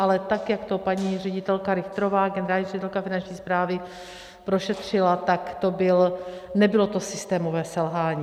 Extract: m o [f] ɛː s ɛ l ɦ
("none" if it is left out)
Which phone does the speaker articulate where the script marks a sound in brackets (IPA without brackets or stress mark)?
v